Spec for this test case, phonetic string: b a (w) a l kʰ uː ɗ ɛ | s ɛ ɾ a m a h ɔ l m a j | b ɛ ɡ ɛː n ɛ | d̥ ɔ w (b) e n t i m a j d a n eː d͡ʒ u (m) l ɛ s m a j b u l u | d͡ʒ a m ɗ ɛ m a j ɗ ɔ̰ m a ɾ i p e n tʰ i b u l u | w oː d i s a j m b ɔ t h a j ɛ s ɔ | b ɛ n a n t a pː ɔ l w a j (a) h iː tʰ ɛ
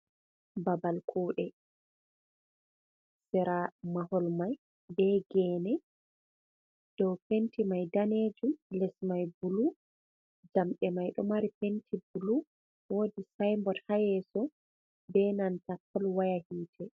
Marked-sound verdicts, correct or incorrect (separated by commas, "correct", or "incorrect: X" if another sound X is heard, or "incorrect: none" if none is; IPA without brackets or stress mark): incorrect: b, incorrect: p, correct, correct